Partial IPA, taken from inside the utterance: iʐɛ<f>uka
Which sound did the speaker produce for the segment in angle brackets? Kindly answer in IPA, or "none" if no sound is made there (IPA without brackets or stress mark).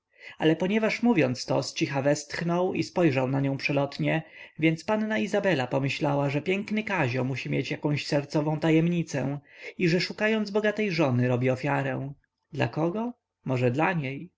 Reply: ʂ